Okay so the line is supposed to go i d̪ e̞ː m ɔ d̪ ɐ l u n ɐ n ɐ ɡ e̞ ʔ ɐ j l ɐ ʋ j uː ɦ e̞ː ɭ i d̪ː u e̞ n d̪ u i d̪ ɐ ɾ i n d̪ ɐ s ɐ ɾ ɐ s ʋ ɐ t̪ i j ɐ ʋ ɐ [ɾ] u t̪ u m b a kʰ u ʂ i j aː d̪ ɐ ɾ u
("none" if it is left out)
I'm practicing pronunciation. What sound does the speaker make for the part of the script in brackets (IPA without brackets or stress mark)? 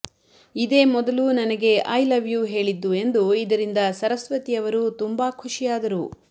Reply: ɾ